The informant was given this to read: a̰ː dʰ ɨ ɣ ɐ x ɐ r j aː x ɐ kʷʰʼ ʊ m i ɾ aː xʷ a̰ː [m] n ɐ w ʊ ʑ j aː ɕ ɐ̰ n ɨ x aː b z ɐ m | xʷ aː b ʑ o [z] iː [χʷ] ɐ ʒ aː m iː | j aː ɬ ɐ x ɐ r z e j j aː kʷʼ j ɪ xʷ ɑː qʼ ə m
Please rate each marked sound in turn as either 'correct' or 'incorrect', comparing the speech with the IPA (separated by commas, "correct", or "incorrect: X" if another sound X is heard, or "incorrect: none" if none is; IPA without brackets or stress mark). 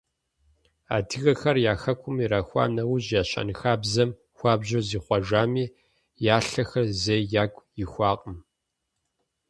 incorrect: none, correct, correct